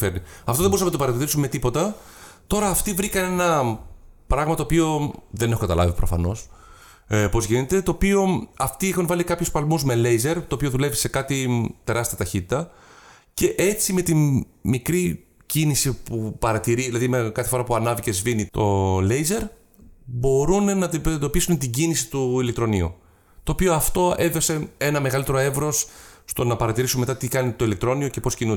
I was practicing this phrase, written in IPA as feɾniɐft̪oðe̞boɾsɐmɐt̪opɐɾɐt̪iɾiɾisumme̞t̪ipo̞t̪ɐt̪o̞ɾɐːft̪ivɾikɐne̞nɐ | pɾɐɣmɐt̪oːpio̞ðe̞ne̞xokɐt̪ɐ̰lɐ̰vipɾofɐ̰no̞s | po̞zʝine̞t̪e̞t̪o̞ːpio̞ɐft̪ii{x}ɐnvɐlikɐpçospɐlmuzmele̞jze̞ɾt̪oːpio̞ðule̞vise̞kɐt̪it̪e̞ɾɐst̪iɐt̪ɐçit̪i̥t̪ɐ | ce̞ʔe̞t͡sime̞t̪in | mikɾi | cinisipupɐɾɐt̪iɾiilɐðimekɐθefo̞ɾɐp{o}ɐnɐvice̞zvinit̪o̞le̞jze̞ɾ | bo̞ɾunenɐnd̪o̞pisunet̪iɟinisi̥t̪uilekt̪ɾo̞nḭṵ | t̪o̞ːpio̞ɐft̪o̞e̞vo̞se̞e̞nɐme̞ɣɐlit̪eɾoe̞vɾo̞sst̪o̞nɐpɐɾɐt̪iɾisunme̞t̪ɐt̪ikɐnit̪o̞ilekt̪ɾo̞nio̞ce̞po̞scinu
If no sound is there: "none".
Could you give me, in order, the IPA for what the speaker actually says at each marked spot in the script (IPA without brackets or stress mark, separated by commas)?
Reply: x, u